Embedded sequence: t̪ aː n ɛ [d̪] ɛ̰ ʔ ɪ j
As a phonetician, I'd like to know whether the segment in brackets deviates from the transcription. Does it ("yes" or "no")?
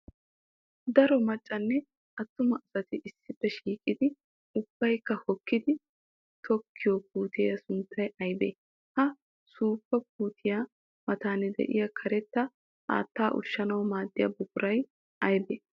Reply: no